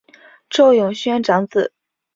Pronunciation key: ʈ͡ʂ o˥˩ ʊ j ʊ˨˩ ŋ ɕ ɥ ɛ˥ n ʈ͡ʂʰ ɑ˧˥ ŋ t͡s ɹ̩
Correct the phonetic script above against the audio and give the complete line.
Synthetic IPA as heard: ʈ͡ʂ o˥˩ ʊ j ʊ˨˩ ŋ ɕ ɥ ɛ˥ n ʈ͡ʂ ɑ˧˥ ŋ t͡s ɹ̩